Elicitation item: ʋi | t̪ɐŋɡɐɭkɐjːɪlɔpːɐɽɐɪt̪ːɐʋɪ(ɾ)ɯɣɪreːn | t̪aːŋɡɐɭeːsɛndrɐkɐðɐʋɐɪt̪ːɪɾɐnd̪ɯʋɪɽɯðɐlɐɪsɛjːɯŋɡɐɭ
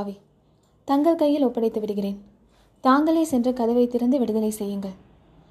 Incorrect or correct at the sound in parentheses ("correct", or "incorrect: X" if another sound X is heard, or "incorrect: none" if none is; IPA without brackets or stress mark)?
incorrect: ɽ